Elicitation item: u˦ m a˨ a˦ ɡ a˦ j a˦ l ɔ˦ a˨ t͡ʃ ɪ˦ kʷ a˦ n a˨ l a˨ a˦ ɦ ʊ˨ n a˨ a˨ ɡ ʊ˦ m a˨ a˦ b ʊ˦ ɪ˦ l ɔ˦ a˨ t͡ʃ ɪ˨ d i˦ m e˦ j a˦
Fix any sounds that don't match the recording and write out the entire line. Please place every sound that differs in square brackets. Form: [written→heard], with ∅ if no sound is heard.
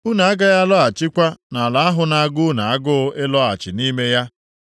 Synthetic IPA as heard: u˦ [m→n] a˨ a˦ ɡ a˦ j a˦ l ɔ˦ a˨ t͡ʃ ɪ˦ kʷ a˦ n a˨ l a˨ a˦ ɦ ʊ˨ n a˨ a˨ ɡ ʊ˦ [m→n] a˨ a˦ [b→ɡ] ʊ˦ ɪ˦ l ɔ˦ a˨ t͡ʃ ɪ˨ [d→n] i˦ m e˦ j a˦